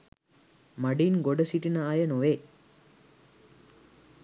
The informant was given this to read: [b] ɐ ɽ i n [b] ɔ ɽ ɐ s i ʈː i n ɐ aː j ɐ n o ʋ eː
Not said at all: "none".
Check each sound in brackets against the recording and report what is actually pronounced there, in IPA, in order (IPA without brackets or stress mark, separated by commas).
m, ɡ